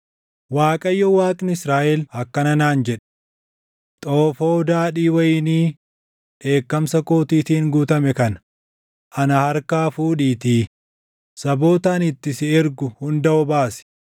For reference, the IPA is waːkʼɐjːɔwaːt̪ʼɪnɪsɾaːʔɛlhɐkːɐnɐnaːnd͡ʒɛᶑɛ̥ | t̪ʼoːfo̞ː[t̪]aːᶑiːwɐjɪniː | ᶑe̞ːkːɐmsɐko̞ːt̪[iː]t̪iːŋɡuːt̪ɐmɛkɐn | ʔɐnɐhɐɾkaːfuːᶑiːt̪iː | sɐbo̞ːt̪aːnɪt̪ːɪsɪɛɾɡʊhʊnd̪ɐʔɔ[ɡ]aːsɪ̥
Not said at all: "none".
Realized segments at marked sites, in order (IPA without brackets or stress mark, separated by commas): d̪, iː, b